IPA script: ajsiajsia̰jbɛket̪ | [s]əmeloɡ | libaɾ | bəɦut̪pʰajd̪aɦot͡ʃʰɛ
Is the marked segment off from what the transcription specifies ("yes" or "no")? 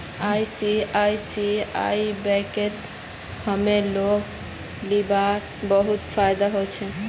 yes